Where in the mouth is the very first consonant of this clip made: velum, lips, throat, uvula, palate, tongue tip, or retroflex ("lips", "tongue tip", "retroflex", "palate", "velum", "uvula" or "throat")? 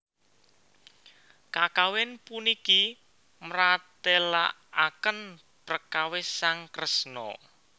velum